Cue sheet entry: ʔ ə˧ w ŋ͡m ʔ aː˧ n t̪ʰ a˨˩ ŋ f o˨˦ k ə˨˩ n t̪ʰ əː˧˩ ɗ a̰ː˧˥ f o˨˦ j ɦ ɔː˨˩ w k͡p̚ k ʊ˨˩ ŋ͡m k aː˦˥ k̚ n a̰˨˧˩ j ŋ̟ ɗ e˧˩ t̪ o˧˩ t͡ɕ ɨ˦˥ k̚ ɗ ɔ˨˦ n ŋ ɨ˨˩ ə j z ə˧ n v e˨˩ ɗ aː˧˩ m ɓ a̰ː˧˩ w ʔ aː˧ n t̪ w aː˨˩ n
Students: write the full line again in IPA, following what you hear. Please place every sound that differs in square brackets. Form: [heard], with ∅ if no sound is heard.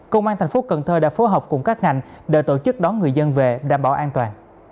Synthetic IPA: [k] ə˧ w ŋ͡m ʔ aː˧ n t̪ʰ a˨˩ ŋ f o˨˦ k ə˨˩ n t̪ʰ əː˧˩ ɗ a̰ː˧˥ f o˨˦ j ɦ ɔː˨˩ w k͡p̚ k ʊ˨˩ ŋ͡m k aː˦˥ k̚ [ŋ] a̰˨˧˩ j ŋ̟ ɗ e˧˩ t̪ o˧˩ t͡ɕ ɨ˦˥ k̚ ɗ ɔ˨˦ n ŋ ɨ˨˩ ə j z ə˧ n v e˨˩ ɗ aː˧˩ m ɓ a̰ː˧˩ w ʔ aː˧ n t̪ w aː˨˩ n

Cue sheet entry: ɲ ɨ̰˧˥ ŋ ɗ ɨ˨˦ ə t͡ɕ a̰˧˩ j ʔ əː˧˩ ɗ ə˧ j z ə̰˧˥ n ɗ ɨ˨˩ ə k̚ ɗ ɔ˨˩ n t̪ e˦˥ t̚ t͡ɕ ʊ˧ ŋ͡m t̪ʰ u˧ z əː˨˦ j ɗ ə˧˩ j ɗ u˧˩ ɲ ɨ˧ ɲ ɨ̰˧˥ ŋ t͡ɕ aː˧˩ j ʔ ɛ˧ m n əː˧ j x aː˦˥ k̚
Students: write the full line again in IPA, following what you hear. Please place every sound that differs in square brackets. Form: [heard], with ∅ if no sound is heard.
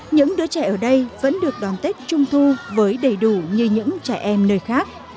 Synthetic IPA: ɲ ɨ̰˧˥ ŋ ɗ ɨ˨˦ ə t͡ɕ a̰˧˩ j ʔ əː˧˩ ɗ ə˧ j [v] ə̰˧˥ n ɗ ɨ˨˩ ə k̚ ɗ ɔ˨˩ n t̪ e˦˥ t̚ t͡ɕ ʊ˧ ŋ͡m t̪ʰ u˧ [v] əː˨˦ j ɗ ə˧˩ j ɗ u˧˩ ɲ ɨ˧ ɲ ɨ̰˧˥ ŋ t͡ɕ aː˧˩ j ʔ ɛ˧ m n əː˧ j x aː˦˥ k̚

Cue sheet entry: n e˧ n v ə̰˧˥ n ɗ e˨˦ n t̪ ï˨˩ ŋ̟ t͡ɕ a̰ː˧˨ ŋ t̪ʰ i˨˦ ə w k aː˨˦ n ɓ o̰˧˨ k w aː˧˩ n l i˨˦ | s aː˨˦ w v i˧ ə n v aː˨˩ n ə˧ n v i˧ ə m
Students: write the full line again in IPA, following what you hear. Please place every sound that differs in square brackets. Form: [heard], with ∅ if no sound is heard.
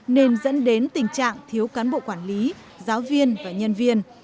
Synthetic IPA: n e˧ n [z] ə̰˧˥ n ɗ e˨˦ n t̪ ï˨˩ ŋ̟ t͡ɕ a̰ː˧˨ ŋ t̪ʰ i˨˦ ə w k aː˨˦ n ɓ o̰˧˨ k w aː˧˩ n l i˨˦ | [z] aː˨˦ w v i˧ ə n v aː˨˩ [ɲ] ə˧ n v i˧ ə [n]

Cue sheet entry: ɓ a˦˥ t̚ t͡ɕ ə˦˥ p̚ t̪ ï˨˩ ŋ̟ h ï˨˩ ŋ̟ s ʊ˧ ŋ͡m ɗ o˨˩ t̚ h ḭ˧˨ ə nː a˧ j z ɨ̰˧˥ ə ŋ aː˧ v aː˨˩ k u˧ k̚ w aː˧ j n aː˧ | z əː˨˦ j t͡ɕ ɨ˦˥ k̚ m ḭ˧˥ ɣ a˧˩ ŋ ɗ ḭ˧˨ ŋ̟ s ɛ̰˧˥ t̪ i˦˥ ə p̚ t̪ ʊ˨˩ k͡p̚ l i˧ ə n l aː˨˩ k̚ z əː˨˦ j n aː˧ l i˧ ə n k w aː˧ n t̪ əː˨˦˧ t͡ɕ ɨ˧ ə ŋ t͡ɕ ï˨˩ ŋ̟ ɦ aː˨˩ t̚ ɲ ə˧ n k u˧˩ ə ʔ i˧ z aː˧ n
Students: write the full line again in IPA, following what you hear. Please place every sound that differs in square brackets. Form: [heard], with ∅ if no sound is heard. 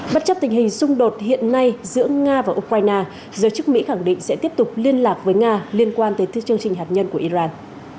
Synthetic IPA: ɓ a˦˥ t̚ t͡ɕ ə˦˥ p̚ t̪ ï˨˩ ŋ̟ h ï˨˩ ŋ̟ s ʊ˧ ŋ͡m ɗ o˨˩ t̚ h ḭ˧˨ ə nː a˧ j z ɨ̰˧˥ ə ŋ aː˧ v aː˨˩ [ʔ] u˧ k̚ w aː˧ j n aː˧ | z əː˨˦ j t͡ɕ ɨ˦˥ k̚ m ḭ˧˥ [x] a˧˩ ŋ ɗ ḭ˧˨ ŋ̟ s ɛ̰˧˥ t̪ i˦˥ ə p̚ t̪ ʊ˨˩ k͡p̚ l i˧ ə n l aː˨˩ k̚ [v] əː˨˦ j [ŋ] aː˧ l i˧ ə n k w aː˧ n t̪ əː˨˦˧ t͡ɕ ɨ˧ ə ŋ t͡ɕ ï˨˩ ŋ̟ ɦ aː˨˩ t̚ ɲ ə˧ n k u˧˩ ə ʔ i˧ z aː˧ n

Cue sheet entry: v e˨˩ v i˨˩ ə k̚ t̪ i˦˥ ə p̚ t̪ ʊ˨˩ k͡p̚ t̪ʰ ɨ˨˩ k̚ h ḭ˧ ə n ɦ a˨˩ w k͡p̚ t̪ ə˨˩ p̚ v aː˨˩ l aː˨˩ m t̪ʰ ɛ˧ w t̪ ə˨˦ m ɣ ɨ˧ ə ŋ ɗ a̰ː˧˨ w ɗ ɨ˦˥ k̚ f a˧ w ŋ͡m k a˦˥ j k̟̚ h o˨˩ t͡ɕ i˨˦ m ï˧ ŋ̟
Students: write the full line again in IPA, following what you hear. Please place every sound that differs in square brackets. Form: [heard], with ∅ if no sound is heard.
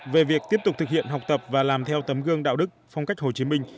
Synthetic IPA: v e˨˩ v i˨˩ ə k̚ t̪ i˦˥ ə p̚ t̪ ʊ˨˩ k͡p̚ [t̪] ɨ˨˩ k̚ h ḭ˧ ə n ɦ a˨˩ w k͡p̚ t̪ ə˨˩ p̚ v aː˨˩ l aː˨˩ m t̪ʰ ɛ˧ w t̪ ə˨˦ m ɣ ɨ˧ ə ŋ ɗ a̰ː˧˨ w ɗ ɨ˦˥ k̚ f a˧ w ŋ͡m k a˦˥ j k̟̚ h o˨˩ t͡ɕ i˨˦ m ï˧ ŋ̟

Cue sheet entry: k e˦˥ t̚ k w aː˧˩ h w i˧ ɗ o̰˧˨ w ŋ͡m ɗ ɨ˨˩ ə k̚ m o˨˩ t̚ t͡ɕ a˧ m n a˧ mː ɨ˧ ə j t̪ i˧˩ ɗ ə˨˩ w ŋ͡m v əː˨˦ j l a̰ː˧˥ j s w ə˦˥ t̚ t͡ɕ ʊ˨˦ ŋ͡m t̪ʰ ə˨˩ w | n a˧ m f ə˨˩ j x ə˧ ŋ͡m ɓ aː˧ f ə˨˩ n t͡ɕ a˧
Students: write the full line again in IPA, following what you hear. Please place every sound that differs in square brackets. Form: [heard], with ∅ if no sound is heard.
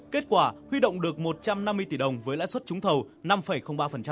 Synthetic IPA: k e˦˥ t̚ k w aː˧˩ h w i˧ ɗ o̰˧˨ w ŋ͡m ɗ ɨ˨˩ ə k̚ m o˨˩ t̚ t͡ɕ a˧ m n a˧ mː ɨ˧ ə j t̪ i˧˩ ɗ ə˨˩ w ŋ͡m v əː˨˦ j l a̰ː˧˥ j s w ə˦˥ t̚ t͡ɕ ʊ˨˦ ŋ͡m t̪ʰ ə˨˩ w | n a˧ m f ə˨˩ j x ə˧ ŋ͡m ɓ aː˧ f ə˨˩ n t͡ɕ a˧

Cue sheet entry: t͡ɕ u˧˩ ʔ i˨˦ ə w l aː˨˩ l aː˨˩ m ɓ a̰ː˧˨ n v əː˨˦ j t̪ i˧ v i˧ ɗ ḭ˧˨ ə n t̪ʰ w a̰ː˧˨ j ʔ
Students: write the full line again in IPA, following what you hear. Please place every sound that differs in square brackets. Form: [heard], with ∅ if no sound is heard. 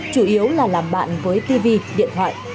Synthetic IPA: t͡ɕ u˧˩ ʔ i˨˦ ə w l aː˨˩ l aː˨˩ m ɓ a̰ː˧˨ n v əː˨˦ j t̪ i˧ v i˧ ɗ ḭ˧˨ ə n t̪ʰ w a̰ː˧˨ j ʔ

